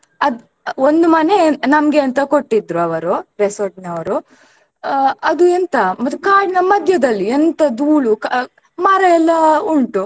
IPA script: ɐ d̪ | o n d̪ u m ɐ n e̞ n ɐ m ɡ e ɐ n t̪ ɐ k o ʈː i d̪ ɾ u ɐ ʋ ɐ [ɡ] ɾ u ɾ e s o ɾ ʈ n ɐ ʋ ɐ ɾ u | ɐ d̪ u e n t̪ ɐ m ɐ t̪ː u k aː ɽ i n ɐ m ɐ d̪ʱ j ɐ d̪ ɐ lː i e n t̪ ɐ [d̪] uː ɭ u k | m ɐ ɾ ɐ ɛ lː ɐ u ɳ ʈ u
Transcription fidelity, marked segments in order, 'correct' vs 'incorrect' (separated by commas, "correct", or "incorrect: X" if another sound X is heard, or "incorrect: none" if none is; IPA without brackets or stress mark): incorrect: none, correct